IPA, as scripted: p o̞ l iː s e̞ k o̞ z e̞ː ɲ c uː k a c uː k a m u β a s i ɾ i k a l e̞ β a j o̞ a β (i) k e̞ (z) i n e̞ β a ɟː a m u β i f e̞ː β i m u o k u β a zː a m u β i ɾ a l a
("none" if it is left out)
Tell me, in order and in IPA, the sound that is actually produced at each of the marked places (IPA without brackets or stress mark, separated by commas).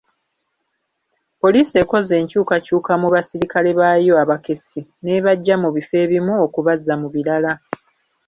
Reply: a, s